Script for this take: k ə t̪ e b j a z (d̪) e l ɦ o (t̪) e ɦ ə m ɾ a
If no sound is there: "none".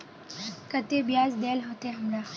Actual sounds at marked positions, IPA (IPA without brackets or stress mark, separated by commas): d̪, t̪